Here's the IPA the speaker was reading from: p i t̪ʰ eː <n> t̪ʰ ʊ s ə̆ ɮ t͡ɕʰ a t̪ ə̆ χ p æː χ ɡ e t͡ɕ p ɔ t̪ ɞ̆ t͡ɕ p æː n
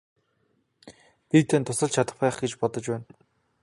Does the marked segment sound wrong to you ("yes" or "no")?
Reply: no